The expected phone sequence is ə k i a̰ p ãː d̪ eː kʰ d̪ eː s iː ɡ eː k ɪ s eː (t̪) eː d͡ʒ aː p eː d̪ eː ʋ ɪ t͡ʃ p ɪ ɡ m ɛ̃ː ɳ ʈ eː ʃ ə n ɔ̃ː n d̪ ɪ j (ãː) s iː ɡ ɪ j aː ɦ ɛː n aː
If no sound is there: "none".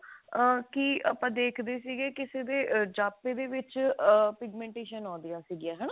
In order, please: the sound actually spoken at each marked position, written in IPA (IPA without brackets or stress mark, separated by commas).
d̪, aː